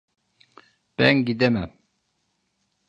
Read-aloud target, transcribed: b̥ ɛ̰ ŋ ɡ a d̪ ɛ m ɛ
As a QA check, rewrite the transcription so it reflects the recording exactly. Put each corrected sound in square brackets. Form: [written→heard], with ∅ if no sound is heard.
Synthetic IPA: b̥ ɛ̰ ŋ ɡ [a→i] d̪ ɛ m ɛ